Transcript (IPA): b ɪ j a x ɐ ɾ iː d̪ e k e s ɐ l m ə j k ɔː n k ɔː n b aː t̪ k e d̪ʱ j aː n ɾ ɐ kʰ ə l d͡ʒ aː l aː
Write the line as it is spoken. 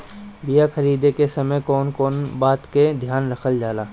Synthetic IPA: b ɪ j a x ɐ ɾ iː d̪ e k e s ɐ m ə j k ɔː n k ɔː n b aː t̪ k e d̪ʱ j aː n ɾ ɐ kʰ ə l d͡ʒ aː l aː

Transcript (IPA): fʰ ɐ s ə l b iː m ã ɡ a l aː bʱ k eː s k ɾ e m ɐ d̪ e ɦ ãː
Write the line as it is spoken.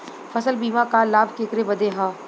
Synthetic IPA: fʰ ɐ s ə l b iː m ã k a l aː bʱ k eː k ɾ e b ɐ d̪ e ɦ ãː

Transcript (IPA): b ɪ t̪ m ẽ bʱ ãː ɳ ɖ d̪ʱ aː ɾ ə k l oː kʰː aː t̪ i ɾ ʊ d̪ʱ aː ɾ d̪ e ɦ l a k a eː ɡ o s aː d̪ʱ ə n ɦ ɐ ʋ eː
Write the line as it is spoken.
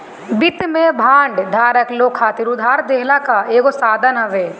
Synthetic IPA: b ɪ t̪ m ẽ bʱ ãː ɳ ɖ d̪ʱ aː ɾ ə k l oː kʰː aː t̪ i ɾ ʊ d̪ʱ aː ɾ d̪ e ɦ l a k a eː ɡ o s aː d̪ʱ ə n ɦ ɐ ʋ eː

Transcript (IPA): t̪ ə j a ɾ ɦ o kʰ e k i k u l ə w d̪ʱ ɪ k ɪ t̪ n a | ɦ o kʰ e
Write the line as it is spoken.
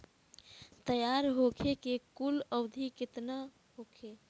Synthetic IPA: t̪ ə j a ɾ ɦ o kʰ e k e k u l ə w d̪ʱ i k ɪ t̪ n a | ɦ o kʰ e

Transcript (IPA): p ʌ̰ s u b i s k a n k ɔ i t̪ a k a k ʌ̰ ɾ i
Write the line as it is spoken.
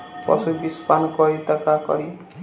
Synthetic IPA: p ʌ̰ s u b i s p a n k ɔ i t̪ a k a k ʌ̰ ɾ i

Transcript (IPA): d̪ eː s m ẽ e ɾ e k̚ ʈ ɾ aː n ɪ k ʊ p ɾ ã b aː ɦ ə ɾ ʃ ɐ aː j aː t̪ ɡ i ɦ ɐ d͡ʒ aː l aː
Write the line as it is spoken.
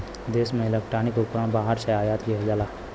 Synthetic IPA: d̪ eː s m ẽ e l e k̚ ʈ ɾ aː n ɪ k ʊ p ɾ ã b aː ɦ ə ɾ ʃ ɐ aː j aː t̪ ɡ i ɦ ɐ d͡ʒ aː l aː

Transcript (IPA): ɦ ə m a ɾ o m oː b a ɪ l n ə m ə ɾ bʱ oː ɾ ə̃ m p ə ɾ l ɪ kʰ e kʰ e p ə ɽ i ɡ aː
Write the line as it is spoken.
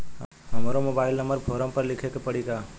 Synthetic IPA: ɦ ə m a ɾ o m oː b a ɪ l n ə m ə ɾ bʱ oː ɾ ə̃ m p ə ɾ l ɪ kʰ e k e p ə ɽ i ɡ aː

